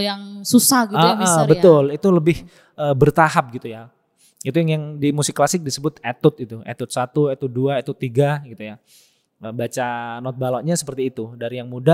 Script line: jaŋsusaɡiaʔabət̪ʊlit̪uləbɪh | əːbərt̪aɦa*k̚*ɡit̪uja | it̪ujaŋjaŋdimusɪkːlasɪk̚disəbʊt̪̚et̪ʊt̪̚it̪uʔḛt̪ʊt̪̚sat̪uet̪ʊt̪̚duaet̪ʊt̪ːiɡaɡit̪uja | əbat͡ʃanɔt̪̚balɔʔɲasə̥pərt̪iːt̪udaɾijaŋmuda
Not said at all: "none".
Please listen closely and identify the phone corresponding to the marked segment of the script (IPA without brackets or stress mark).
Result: p̚